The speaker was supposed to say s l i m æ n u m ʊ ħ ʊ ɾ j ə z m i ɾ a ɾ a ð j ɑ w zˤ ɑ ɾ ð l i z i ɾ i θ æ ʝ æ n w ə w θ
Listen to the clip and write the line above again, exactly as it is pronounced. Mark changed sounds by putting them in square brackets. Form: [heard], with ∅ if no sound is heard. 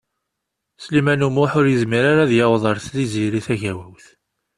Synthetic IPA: s l i m æ n u m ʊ ħ ʊ ɾ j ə z m i ɾ a ɾ a ð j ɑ w [ðˤ] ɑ ɾ [θ] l i z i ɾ i θ æ ʝ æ [∅] w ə w θ